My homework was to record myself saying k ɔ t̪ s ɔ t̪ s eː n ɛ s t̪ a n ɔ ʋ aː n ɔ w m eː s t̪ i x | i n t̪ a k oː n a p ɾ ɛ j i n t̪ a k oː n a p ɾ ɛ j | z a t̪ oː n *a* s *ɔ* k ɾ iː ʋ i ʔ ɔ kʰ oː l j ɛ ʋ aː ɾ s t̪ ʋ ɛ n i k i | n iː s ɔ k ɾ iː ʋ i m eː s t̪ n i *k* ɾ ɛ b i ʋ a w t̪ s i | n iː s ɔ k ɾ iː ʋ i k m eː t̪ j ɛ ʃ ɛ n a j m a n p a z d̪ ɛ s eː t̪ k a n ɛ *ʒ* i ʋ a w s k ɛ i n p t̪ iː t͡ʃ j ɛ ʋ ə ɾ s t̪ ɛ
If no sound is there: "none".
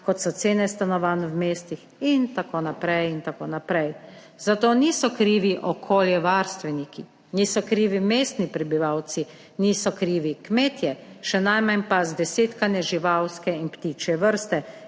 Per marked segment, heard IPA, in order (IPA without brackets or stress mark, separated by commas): i, ɔ, p, ʒ